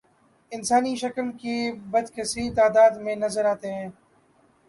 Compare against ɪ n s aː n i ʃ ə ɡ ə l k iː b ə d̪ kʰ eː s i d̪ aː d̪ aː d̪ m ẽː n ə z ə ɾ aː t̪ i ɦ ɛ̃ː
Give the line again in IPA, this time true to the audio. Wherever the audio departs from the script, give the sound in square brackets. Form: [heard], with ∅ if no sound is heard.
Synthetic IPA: ɪ n s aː n i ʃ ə [k] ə l k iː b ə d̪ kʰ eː s i [t̪] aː d̪ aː d̪ m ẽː n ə z ə ɾ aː t̪ [e] ɦ ɛ̃ː